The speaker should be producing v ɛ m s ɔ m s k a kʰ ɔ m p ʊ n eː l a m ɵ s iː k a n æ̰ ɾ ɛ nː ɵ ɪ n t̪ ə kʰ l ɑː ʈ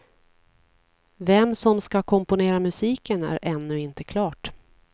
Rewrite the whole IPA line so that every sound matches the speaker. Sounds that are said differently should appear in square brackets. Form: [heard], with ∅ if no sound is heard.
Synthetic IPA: v ɛ m s ɔ m s k a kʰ ɔ m p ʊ n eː [ɾ] a m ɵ s iː k [ə] n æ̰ ɾ ɛ nː ɵ ɪ n t̪ ə kʰ l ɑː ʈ